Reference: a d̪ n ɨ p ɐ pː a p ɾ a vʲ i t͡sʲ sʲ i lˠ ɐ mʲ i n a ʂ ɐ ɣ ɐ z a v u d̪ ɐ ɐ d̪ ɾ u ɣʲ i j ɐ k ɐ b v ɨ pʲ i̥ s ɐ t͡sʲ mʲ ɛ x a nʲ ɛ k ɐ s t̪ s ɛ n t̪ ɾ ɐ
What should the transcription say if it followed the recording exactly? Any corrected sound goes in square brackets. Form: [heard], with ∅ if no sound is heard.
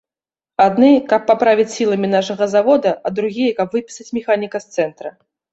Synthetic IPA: a d̪ n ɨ [k] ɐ pː a p ɾ a vʲ i t͡sʲ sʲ i lˠ ɐ mʲ i n a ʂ ɐ ɣ ɐ z a v [ɔ] d̪ ɐ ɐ d̪ ɾ u ɣʲ i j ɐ k ɐ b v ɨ pʲ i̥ s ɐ t͡sʲ mʲ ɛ x a nʲ [i] k ɐ s t̪ s ɛ n t̪ ɾ ɐ

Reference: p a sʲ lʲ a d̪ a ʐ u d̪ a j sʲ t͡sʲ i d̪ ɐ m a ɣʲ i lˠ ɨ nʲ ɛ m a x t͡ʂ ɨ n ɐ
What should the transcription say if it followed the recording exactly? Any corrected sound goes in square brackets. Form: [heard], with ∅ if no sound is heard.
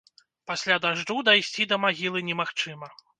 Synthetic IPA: p a sʲ lʲ a d̪ a ʐ u d̪ a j sʲ t͡sʲ i d̪ ɐ m a ɣʲ i lˠ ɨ nʲ ɛ m a x t͡ʂ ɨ [m] ɐ

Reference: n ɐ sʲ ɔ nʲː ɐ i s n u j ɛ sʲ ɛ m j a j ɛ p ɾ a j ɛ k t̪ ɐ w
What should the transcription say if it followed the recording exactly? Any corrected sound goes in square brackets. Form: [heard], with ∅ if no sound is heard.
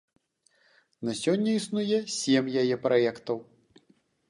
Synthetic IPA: n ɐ sʲ ɔ nʲː ɐ i s n u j ɛ sʲ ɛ m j a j ɛ p ɾ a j ɛ k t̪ ɐ w

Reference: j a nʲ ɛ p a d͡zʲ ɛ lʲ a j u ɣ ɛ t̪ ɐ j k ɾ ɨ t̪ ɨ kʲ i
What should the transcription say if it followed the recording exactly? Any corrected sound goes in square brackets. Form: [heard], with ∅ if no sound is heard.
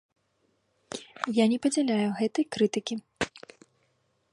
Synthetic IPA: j a nʲ ɛ p [ɐ] d͡zʲ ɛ lʲ a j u ɣ ɛ t̪ ɐ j k ɾ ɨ t̪ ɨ kʲ i

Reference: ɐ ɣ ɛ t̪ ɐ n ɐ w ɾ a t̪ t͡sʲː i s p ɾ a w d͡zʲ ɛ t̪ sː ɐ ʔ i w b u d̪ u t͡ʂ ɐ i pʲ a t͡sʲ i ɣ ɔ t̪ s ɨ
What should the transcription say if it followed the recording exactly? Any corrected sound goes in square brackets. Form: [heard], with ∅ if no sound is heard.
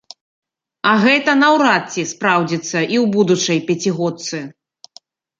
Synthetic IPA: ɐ ɣ ɛ t̪ ɐ n ɐ w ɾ a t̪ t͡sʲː i s p ɾ a w d͡zʲ [i] t̪ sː ɐ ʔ i w b u d̪ u t͡ʂ ɐ [j] pʲ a t͡sʲ i ɣ ɔ t̪ s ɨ

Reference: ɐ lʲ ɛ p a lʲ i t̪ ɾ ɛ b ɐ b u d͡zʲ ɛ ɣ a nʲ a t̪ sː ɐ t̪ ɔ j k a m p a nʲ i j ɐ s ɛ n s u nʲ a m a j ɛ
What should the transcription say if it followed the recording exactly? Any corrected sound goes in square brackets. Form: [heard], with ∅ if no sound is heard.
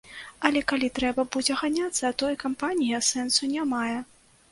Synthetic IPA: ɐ lʲ ɛ [k] a lʲ i t̪ ɾ ɛ b ɐ b u d͡zʲ ɛ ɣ a nʲ a t̪ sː ɐ t̪ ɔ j k a m p a nʲ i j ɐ s ɛ n s u nʲ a m a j ɛ

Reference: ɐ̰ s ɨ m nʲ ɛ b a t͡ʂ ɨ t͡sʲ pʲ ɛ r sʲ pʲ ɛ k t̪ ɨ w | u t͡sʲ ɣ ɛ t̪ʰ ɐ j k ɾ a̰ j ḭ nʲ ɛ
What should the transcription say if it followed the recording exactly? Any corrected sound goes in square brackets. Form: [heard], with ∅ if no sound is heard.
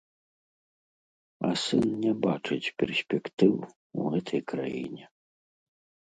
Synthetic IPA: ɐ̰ s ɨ [n] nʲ ɛ b a t͡ʂ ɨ t͡sʲ pʲ ɛ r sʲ pʲ ɛ k t̪ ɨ w | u [∅] ɣ ɛ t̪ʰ ɐ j k ɾ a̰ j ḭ nʲ ɛ

